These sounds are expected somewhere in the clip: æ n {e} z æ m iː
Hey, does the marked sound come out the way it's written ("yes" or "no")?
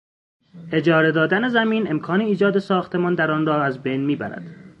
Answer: yes